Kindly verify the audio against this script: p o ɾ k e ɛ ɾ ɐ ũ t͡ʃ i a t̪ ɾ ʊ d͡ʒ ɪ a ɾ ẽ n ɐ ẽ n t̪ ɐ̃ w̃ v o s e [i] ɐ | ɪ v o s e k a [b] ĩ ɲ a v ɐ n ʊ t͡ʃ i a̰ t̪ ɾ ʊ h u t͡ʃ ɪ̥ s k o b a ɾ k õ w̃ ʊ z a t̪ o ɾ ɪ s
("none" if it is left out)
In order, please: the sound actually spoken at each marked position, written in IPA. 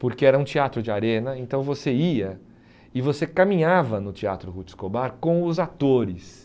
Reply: i, m

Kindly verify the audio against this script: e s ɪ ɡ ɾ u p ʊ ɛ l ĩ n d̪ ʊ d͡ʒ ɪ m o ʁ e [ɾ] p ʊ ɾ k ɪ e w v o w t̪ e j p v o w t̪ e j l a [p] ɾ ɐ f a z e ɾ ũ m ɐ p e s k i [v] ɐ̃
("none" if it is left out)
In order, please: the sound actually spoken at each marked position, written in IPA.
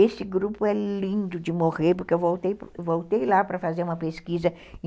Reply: ɾ, p, z

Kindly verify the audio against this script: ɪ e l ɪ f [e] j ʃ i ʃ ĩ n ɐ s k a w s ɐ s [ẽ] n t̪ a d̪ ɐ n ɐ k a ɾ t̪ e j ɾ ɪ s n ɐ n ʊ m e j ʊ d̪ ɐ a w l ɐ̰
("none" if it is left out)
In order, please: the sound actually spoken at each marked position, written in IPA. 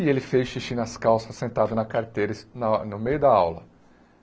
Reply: e, ẽ

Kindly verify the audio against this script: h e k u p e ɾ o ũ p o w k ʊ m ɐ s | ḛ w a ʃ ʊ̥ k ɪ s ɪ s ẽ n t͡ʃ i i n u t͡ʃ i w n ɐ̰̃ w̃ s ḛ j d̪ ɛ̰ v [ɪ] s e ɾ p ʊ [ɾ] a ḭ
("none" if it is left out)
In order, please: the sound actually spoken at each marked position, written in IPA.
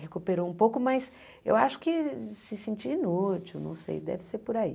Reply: ɪ, ɾ

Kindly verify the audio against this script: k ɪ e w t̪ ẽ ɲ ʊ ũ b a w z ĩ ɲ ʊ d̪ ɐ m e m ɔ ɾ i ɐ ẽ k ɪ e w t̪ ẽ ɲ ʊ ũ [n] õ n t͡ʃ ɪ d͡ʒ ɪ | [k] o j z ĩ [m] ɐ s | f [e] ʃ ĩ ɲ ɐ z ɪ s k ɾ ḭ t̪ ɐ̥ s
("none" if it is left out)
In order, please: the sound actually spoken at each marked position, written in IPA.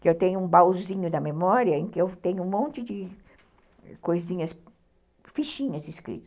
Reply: m, k, ɲ, i

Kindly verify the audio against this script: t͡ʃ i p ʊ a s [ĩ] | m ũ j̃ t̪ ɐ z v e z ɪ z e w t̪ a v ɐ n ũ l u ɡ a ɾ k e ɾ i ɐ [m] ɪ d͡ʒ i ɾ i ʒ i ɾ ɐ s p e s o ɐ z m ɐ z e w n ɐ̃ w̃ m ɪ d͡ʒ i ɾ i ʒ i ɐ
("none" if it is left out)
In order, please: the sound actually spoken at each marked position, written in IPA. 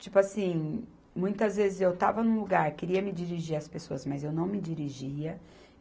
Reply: ĩ, m

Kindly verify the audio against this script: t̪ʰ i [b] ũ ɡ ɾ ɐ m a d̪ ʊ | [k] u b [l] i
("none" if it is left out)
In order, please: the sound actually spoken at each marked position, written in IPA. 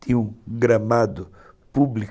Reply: none, p, l

